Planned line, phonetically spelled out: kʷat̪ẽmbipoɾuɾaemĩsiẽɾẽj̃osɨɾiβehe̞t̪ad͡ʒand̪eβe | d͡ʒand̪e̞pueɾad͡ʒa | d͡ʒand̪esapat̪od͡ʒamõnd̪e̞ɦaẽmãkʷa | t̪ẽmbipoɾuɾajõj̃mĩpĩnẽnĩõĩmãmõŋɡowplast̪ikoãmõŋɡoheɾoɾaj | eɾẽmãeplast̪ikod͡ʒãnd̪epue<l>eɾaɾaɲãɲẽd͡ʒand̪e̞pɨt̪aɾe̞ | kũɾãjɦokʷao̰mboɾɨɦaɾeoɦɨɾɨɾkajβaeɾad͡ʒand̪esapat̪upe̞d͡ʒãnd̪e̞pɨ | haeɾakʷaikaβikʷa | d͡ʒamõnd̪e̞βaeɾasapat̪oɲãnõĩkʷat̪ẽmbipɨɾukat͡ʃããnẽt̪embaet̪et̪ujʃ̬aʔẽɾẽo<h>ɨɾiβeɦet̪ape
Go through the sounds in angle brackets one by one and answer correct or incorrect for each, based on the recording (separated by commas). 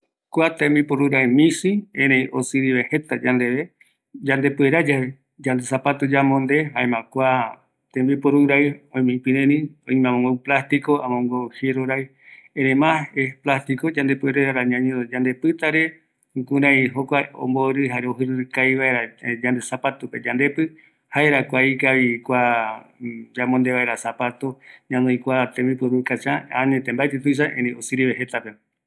incorrect, incorrect